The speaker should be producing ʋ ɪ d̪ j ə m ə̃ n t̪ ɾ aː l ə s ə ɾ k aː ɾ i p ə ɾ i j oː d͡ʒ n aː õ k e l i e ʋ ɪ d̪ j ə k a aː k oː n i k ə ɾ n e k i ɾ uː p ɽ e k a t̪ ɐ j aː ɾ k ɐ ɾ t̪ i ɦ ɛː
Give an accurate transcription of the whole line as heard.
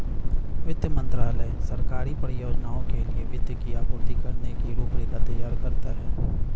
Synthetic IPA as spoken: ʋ ɪ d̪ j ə m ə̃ n t̪ ɾ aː l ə s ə ɾ k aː ɾ i p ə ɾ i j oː d͡ʒ n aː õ k e l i e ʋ ɪ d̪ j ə k i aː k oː n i k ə ɾ n e k i ɾ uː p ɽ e k a t̪ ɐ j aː ɾ k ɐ ɾ t̪ a ɦ ɛː